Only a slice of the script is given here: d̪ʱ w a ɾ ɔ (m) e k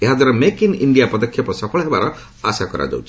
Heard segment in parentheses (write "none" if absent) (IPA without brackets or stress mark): m